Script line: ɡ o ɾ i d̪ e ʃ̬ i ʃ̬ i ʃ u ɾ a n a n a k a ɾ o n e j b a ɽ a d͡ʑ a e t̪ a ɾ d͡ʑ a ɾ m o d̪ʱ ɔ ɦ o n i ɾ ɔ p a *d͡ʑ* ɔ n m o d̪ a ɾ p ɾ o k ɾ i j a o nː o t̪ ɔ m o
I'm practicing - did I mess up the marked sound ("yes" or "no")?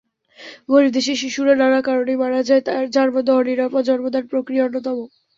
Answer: no